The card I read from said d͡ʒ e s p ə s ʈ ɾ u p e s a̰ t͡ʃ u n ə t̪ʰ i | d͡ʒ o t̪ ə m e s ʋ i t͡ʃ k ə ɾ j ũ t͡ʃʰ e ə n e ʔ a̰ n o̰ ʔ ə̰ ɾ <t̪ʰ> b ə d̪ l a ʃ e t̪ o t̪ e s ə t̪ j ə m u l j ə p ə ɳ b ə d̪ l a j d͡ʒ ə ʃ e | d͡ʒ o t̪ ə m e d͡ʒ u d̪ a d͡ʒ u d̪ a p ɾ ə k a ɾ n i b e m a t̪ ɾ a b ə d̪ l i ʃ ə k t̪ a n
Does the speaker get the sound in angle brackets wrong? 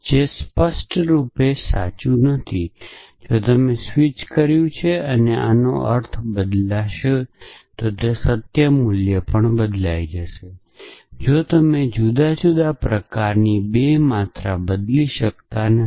no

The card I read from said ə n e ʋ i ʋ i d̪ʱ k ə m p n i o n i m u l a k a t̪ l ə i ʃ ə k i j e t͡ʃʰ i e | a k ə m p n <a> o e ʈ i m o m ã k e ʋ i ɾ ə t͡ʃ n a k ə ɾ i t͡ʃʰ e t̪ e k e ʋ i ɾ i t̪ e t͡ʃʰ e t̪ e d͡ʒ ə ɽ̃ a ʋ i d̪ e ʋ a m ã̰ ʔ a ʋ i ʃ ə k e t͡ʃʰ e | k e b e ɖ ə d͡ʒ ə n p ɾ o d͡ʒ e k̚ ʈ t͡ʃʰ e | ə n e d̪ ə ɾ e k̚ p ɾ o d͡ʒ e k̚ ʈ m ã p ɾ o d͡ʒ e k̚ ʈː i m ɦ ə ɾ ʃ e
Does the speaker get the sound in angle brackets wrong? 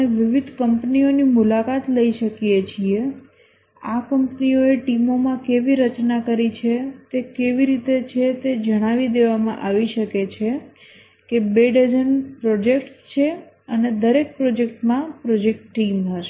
yes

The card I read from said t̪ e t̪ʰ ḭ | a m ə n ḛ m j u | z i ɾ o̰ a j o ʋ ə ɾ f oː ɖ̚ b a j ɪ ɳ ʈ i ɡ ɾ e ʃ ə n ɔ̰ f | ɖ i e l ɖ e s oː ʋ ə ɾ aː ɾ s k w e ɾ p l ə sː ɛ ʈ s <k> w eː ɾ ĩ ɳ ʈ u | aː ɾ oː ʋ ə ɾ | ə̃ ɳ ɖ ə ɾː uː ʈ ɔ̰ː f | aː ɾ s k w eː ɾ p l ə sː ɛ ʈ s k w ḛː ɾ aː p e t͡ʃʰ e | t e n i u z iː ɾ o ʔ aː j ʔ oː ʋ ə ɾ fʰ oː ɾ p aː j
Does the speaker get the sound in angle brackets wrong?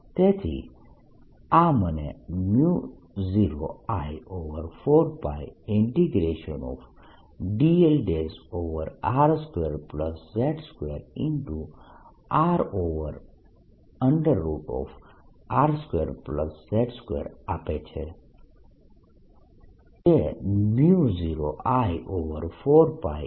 no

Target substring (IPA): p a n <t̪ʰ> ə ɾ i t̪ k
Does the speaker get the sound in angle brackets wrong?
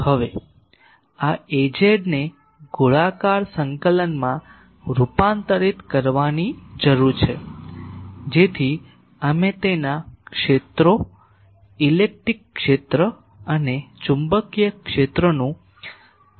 yes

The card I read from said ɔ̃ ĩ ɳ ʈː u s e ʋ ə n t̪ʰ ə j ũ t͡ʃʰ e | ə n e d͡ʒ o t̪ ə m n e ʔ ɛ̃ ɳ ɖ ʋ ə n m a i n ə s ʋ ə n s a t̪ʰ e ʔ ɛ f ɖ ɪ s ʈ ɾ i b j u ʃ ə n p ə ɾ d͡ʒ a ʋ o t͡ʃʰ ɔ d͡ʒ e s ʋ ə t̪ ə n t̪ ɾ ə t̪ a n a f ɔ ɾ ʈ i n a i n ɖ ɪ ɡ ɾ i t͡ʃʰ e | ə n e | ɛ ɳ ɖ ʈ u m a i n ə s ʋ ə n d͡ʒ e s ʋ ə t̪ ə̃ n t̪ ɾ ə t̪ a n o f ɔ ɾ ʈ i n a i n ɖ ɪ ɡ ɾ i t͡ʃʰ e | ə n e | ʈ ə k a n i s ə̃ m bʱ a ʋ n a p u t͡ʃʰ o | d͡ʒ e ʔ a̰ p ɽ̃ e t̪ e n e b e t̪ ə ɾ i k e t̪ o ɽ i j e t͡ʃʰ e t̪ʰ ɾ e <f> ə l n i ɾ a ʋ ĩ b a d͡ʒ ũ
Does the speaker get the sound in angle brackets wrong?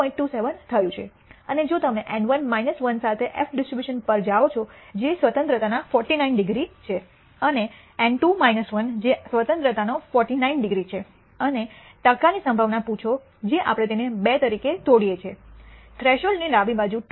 yes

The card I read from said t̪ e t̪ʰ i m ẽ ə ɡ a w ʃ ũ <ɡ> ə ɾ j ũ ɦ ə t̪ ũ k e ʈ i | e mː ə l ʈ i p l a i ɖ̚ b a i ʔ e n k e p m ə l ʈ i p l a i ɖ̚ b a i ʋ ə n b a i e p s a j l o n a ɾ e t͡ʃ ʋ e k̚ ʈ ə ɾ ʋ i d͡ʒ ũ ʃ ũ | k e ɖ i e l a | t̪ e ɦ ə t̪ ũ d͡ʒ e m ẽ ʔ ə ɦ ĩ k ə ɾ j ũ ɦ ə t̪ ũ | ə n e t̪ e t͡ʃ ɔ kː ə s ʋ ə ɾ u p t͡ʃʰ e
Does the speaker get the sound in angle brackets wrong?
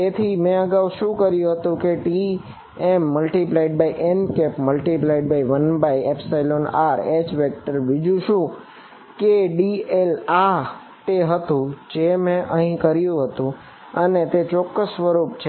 yes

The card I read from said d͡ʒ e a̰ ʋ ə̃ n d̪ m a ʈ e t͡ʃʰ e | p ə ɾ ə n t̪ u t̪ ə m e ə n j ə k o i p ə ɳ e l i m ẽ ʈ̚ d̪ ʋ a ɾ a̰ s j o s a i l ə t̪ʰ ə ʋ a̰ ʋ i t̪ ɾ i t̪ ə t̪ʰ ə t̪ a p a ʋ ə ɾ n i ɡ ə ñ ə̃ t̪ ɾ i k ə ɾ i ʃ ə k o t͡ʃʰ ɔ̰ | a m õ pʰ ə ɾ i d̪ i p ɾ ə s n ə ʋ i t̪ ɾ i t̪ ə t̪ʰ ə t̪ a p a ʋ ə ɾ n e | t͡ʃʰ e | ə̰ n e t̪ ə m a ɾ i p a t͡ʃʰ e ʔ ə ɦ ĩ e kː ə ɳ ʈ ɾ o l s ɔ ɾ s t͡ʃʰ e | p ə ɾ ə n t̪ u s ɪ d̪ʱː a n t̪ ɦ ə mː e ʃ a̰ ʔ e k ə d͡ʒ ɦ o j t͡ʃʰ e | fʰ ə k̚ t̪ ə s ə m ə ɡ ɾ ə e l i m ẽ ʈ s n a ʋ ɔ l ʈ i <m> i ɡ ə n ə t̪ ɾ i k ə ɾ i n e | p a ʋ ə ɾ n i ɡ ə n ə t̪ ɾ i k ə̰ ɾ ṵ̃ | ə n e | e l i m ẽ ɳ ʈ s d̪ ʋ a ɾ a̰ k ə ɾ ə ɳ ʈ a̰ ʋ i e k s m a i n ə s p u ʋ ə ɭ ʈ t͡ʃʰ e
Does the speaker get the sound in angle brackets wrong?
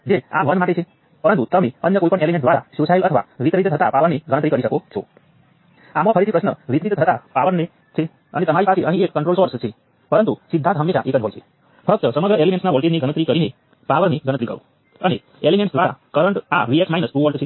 yes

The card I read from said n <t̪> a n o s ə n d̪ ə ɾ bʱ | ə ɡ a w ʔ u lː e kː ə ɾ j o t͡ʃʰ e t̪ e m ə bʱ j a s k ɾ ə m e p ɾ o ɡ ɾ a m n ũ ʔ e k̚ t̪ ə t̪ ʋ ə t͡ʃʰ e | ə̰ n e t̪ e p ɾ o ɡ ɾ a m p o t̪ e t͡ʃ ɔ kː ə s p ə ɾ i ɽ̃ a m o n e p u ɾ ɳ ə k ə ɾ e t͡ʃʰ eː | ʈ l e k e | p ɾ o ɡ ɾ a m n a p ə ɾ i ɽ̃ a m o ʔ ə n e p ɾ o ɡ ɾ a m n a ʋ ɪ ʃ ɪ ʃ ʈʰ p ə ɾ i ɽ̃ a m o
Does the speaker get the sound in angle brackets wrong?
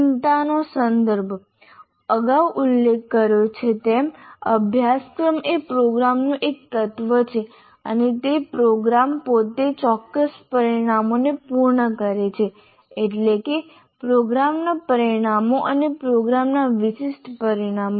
no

